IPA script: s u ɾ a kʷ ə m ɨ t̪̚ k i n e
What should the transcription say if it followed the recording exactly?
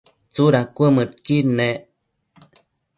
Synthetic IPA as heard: t͡s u ɾ a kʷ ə m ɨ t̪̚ k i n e